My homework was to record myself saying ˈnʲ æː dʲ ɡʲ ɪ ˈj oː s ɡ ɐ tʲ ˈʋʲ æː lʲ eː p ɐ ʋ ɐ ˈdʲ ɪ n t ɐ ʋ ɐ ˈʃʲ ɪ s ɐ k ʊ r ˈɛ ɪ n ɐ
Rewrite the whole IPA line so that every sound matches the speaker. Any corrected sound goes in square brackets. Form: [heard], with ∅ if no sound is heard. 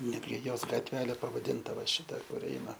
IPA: ˈnʲ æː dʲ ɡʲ ɪ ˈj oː s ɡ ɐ tʲ ˈʋʲ æː lʲ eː p ɐ ʋ ɐ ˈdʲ ɪ n t ɐ ʋ ɐ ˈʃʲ ɪ [t] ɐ k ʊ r ˈɛ ɪ n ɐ

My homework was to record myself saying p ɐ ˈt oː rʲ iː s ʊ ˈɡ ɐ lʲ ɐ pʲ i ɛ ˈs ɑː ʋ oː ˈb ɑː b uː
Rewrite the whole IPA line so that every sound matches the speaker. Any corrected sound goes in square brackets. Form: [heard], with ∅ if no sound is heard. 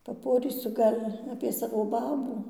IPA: p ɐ [ˈp] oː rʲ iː s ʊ ˈɡ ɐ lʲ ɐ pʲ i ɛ ˈs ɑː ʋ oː ˈb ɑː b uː

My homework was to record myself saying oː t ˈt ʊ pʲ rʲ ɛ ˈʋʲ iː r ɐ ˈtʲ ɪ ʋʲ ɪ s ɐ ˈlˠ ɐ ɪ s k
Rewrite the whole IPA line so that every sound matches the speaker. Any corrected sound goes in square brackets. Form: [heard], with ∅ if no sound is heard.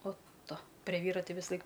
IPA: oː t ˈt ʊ pʲ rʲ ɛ ˈʋʲ iː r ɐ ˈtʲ ɪ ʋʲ ɪ s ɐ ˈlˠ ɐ ɪ [∅] k

